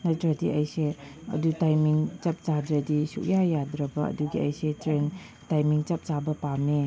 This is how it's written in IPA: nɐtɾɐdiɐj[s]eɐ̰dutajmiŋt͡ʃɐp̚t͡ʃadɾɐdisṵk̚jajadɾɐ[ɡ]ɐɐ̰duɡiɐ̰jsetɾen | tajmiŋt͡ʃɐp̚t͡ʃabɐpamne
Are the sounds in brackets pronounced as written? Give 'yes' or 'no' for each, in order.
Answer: yes, no

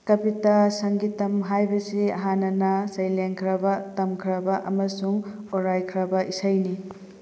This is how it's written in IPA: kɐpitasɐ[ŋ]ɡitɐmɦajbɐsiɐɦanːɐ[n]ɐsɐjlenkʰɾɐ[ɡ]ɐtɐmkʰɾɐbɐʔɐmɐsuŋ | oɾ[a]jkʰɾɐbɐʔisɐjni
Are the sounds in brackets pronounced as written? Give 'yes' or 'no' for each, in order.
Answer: yes, yes, no, yes

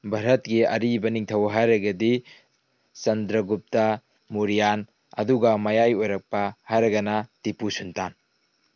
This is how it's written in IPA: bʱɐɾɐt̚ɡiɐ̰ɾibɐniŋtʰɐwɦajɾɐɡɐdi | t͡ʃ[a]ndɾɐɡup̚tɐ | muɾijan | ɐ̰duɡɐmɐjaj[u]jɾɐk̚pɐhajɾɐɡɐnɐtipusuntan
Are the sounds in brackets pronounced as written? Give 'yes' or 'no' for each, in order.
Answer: no, no

